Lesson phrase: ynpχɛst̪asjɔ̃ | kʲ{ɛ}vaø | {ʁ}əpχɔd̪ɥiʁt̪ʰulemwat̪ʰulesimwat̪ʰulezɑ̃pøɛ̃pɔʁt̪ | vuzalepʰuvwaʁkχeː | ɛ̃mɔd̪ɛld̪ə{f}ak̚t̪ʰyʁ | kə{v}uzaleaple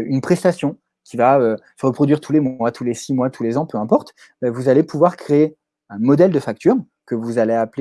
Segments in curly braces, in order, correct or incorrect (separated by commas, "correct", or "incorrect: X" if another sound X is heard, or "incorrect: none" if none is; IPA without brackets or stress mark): incorrect: i, correct, correct, correct